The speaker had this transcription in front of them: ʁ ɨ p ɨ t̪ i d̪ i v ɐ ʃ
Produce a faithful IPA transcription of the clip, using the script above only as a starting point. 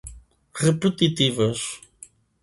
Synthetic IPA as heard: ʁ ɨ p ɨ t̪ i t̪ i v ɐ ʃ